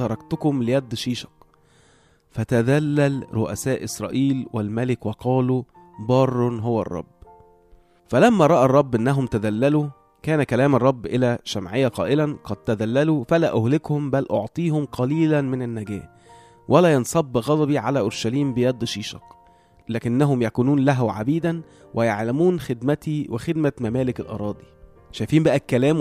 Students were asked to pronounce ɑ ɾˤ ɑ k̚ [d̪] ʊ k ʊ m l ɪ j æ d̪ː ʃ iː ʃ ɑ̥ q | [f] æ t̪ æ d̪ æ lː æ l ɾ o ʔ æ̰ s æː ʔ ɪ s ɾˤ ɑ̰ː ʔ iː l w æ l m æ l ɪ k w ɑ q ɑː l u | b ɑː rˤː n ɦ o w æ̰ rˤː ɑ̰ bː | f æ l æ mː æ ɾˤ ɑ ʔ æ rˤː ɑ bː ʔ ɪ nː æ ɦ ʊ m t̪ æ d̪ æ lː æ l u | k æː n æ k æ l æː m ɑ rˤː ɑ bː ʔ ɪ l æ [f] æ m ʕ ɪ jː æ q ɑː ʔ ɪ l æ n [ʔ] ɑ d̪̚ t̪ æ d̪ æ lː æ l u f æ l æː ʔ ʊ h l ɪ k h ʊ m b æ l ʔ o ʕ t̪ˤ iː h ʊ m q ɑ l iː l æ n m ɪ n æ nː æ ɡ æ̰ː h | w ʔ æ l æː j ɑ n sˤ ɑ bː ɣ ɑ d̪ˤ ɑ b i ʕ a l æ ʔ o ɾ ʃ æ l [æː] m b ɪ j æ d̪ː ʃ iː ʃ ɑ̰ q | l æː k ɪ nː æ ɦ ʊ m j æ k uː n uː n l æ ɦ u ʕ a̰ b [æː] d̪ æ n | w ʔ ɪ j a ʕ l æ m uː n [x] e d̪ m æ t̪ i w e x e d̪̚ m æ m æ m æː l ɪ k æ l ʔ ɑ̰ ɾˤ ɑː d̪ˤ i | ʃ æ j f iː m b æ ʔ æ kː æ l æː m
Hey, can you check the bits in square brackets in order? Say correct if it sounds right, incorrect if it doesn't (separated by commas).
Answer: incorrect, correct, incorrect, incorrect, incorrect, incorrect, correct